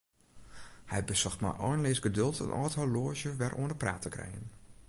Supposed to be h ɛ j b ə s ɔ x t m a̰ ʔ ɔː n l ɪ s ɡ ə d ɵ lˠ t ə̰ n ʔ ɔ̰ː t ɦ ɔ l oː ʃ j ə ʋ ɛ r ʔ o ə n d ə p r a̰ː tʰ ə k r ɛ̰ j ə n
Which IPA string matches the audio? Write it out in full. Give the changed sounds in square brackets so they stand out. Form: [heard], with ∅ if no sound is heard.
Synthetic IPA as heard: h ɛ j b ə s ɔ x t m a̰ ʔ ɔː n l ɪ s ɡ ə d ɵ lˠ t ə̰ n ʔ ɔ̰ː t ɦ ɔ l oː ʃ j ə ʋ ɛ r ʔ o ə n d ə p r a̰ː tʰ ə k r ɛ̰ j ə n